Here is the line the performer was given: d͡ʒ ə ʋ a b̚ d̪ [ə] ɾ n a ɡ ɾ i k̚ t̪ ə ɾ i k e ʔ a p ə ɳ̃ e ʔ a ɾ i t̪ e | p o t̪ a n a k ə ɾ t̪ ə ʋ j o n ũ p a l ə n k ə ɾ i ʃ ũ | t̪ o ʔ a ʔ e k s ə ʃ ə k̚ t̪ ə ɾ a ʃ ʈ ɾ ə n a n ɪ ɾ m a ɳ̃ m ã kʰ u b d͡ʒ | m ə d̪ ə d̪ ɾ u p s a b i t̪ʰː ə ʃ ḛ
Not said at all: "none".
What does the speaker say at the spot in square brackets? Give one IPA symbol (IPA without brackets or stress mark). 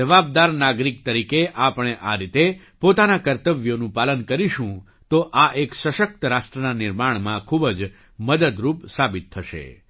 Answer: a